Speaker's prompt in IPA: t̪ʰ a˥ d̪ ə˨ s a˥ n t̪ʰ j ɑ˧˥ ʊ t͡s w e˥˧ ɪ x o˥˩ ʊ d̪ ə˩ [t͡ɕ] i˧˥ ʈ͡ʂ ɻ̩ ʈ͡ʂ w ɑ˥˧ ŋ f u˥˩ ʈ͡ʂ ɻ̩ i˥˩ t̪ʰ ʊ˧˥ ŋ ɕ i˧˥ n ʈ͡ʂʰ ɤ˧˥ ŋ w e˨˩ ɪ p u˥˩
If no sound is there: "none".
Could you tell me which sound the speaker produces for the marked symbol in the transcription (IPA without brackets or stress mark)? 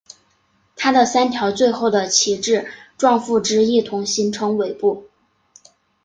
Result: t͡ɕʰ